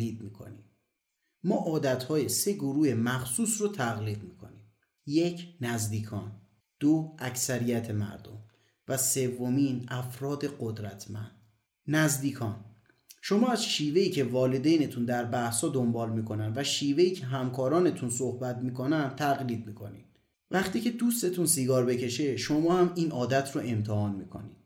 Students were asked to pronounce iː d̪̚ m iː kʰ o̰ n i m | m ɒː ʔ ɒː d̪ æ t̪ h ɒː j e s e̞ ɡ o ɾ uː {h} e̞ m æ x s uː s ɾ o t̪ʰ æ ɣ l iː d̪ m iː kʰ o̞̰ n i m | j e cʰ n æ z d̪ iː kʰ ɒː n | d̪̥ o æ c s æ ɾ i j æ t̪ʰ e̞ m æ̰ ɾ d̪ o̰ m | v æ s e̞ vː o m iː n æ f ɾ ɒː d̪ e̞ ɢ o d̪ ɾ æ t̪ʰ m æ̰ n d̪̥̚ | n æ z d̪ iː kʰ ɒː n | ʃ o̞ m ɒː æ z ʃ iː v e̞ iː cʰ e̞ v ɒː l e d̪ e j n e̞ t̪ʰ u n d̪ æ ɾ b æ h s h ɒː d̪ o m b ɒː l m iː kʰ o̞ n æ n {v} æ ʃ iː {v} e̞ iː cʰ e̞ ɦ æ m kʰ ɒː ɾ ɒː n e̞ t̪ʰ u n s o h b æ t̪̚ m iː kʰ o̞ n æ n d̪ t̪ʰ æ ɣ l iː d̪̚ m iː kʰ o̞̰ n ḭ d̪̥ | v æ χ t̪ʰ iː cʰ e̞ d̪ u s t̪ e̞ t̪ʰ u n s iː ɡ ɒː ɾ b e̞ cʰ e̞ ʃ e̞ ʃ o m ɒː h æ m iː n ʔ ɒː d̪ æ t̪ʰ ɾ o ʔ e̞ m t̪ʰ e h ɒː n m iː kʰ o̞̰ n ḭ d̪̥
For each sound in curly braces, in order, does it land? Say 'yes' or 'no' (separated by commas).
yes, yes, yes